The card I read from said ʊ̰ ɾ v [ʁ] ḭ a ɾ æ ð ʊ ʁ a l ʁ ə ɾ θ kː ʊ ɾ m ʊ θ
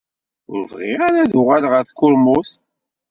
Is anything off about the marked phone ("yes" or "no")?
no